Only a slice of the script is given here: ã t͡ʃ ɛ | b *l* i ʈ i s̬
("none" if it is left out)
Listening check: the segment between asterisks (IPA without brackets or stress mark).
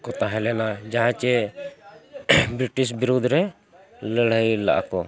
ɾ